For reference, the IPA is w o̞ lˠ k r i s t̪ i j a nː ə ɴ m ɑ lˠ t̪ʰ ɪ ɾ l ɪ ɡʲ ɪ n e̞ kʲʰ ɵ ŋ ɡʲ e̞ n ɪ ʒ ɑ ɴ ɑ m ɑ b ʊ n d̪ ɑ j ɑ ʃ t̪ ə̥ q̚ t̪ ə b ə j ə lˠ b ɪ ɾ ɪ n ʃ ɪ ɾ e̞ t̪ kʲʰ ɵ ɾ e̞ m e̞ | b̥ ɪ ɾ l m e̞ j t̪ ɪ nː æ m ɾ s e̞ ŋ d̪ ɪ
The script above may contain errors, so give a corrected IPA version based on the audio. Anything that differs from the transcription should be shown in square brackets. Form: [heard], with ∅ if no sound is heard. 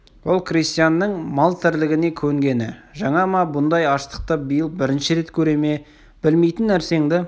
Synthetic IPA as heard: w o̞ lˠ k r i s t̪ i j a nː ə ɴ m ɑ lˠ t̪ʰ ɪ ɾ l ɪ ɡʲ ɪ n e̞ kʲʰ ɵ ŋ ɡʲ e̞ n ɪ ʒ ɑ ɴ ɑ m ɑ b ʊ n d̪ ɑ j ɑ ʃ t̪ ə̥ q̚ t̪ ə b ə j ə lˠ b ɪ ɾ ɪ n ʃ ɪ ɾ e̞ t̪ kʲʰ ɵ ɾ e̞ m e̞ | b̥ ɪ [∅] l m e̞ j t̪ ɪ nː æ [∅] ɾ s e̞ ŋ d̪ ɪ

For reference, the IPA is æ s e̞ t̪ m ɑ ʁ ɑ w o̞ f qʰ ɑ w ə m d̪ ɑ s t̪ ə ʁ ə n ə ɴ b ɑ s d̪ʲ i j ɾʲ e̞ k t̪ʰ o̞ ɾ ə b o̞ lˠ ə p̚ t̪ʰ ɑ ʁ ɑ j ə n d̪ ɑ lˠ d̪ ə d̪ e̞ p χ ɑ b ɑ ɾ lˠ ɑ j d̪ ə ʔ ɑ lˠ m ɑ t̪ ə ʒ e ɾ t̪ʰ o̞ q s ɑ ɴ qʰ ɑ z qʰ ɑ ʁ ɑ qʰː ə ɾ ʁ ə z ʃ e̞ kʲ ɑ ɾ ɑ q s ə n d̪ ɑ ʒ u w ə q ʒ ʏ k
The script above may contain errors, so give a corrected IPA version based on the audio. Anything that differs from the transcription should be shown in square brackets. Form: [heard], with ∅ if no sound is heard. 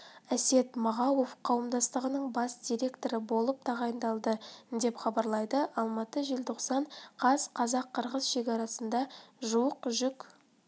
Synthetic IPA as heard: æ s e̞ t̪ m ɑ ʁ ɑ w o̞ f qʰ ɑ w ə m d̪ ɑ s t̪ ə ʁ ə n ə ɴ b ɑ s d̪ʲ i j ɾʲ e̞ k [t̪] o̞ ɾ ə b o̞ lˠ ə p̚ t̪ʰ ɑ ʁ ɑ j ə n d̪ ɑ lˠ d̪ ə d̪ e̞ p χ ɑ b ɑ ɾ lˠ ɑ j d̪ ə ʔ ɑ lˠ m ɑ t̪ ə ʒ e [l] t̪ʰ o̞ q s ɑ ɴ qʰ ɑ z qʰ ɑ [z] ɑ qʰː ə ɾ ʁ ə z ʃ e̞ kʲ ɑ ɾ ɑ [∅] s ə n d̪ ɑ ʒ u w ə q ʒ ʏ k

